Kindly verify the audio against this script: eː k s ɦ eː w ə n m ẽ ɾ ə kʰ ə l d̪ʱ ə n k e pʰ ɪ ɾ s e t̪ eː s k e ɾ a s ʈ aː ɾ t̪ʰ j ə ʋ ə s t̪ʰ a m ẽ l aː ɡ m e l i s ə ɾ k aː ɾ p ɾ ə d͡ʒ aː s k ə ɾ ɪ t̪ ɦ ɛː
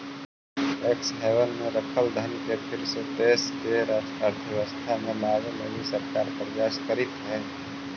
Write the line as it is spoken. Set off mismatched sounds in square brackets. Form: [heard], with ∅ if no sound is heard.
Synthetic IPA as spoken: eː k s ɦ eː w ə n m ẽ ɾ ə kʰ ə l d̪ʱ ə n k e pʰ ɪ ɾ s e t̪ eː s k e ɾ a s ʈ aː ɾ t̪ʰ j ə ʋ ə s t̪ʰ a m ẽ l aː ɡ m e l i s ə ɾ k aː ɾ p ɾ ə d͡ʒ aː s k ə ɾ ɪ t̪ ɦ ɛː